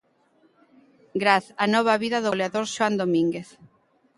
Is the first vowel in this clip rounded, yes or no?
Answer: no